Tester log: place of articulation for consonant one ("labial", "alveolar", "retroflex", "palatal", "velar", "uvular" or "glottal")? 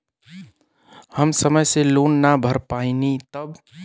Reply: glottal